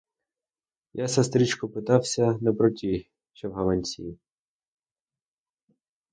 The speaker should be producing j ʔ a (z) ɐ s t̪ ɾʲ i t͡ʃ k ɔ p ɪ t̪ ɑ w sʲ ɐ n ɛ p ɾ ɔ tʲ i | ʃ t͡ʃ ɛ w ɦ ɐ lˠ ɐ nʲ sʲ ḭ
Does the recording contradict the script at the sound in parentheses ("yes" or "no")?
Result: yes